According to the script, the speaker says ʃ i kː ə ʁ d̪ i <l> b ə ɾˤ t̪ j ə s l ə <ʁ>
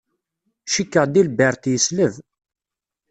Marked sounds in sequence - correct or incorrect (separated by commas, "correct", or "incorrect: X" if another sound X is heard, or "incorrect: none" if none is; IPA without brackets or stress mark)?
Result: correct, incorrect: v